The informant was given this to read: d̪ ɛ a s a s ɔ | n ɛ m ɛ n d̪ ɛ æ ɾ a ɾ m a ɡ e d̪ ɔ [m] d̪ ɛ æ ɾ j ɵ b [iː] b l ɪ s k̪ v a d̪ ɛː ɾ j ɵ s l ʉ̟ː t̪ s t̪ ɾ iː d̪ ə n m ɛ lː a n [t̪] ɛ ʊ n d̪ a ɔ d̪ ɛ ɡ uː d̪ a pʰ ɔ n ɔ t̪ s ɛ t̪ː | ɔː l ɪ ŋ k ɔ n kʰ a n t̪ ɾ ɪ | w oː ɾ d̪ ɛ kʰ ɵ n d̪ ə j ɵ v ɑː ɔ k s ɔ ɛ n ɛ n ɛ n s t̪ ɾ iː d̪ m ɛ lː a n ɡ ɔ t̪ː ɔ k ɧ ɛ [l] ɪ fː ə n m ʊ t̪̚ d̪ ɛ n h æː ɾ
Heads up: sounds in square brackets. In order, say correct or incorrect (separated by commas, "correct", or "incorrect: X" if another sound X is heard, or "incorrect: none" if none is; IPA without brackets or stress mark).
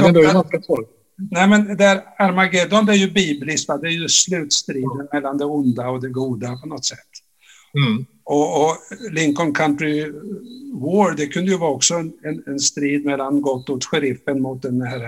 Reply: incorrect: n, correct, incorrect: d̪, incorrect: ɾ